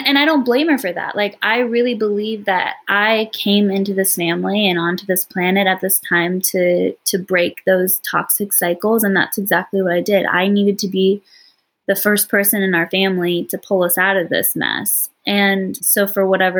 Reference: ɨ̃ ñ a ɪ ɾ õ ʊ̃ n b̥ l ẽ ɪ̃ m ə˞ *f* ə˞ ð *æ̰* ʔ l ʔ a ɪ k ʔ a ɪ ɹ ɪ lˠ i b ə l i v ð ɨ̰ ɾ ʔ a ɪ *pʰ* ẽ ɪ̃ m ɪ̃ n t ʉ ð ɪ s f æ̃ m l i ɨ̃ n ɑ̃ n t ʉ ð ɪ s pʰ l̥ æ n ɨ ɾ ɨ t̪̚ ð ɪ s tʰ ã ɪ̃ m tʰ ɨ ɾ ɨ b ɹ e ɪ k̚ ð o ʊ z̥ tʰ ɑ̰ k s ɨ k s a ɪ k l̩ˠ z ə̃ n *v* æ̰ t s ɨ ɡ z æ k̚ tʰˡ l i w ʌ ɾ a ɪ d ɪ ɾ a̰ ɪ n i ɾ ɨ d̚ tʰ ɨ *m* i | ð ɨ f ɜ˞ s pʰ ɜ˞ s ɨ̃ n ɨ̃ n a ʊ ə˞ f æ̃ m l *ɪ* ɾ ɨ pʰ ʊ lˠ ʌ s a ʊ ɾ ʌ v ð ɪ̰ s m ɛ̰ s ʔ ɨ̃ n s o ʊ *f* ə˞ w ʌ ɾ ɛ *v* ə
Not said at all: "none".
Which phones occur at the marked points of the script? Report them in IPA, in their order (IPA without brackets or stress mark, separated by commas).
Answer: f, æ̰, kʰ, ð, b, i, f, v